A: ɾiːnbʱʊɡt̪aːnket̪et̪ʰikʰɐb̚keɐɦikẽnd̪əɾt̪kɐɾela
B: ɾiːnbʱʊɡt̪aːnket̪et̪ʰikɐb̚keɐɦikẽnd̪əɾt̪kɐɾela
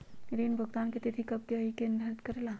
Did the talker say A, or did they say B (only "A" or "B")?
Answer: B